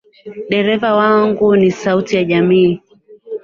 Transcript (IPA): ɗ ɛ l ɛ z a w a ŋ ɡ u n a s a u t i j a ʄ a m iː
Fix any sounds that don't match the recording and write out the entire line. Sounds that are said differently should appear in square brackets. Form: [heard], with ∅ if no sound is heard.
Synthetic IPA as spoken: ɗ ɛ [ɾ] ɛ [v] a w a ŋ ɡ u n [i] s a u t i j a ʄ a m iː